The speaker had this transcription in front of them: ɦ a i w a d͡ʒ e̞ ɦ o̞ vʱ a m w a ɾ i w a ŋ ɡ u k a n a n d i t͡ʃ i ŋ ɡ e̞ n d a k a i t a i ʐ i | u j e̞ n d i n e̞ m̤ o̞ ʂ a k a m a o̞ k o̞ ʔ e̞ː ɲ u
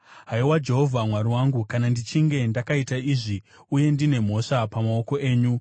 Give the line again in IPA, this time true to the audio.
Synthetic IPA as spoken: ɦ a i w a d͡ʒ e̞ ɦ o̞ vʱ a m w a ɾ i w a ŋ ɡ u k a n a n d i t͡ʃ i ŋ ɡ e̞ n d a k a i t a i ʐ i | u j e̞ n d i n e̞ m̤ o̞ ʂ a p a m a o̞ k o̞ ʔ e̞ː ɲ u